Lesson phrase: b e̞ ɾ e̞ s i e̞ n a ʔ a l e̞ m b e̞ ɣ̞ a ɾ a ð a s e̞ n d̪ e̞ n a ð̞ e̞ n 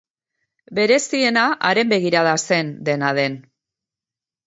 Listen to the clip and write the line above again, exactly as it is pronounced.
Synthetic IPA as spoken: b e̞ ɾ e̞ s i e̞ n a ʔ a ɾ e̞ m b e̞ ɣ̞ i ɾ a ð a s e̞ n d̪ e̞ n a ð̞ e̞ n